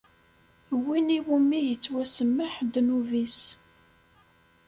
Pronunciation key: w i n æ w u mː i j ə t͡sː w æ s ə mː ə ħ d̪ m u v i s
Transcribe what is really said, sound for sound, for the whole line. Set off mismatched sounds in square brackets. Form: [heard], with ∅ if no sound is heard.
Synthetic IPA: w i n [i] w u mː i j ə t͡sː w æ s ə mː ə ħ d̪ [n] u v i s